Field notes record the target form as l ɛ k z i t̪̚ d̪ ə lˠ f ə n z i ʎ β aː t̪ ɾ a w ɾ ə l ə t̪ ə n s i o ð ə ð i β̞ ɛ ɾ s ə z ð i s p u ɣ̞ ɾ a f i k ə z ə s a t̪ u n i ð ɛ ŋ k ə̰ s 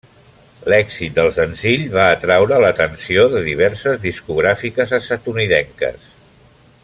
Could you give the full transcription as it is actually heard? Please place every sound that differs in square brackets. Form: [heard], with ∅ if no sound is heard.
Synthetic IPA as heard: l ɛ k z i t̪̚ d̪ ə lˠ [s] ə n z i ʎ β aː t̪ ɾ a w ɾ ə l ə t̪ ə n s i o ð ə ð i β̞ ɛ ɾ s ə z ð i s [k] u ɣ̞ ɾ a f i k ə z ə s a t̪ u n i ð ɛ ŋ k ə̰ s